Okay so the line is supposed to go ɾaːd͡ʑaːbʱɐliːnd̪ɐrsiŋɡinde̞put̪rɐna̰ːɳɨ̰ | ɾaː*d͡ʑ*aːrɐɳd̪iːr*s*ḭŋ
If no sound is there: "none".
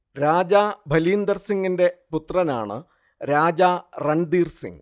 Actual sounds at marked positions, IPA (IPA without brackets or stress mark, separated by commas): d͡ʑ, s